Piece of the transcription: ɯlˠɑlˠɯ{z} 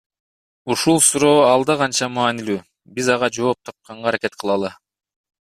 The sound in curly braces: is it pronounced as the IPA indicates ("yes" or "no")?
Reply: no